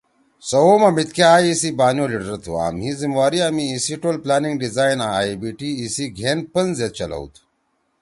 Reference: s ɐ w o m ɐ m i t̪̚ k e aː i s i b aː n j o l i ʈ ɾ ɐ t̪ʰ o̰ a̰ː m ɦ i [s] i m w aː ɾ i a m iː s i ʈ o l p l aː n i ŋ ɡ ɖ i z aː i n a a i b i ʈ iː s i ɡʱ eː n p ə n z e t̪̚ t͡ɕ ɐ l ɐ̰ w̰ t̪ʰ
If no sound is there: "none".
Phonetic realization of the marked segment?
z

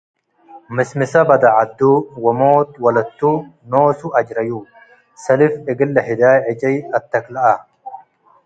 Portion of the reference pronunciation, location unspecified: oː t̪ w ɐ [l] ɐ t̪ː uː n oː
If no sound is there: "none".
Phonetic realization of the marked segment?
l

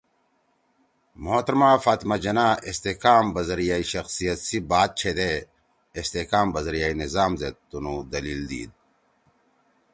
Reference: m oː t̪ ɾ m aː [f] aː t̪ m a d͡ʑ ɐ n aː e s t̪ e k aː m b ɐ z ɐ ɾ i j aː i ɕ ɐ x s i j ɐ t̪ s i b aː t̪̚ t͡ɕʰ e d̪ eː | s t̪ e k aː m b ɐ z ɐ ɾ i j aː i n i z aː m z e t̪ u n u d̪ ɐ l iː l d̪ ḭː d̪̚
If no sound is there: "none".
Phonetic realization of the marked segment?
f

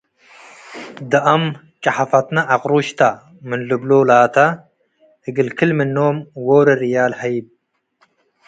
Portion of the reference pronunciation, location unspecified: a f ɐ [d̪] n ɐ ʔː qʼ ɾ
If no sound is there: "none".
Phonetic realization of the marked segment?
t̪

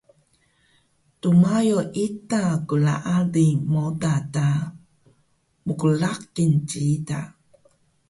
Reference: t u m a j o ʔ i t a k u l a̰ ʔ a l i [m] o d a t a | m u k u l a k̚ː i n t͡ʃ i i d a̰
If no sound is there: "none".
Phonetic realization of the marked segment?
m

